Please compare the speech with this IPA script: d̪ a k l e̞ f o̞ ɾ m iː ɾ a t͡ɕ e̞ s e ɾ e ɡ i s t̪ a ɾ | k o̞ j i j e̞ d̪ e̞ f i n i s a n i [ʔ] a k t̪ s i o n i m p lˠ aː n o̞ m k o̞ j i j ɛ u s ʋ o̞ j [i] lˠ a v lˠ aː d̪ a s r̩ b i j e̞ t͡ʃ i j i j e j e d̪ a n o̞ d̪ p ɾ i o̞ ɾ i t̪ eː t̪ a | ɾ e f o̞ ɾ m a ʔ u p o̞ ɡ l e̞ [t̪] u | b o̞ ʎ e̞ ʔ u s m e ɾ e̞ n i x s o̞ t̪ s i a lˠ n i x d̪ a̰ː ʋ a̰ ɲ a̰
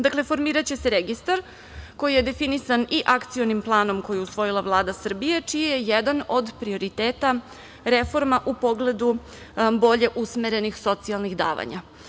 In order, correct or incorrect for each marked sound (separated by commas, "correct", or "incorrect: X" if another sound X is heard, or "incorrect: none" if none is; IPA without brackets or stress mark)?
correct, correct, incorrect: d̪